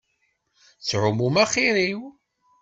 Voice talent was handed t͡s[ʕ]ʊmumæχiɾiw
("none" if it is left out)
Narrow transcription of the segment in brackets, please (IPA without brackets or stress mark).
ʕ